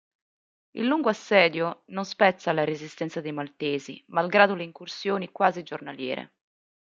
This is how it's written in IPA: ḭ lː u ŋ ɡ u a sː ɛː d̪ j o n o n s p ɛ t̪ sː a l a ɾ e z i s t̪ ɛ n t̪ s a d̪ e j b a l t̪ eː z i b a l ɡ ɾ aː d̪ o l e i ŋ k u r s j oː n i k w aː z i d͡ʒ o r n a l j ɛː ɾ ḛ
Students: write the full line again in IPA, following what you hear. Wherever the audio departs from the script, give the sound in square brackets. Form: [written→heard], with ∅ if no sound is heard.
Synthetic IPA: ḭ lː u ŋ ɡ [u→o] a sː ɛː d̪ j o n o n s p ɛ t̪ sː a l a ɾ e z i s t̪ ɛ n t̪ s a d̪ e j [b→m] a l t̪ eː z i [b→m] a l ɡ ɾ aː d̪ o l e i ŋ k u r s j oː n i k w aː z i d͡ʒ o r n a l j ɛː ɾ ḛ